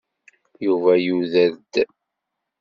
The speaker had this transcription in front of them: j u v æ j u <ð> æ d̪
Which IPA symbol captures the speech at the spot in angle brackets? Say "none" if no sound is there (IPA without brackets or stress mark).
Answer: ð